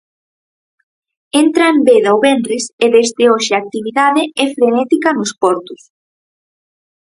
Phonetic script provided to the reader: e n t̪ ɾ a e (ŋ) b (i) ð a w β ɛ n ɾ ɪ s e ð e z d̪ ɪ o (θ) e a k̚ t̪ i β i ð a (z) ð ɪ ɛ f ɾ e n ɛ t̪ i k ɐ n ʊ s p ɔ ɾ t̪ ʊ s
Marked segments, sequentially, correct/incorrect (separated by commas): incorrect, incorrect, incorrect, incorrect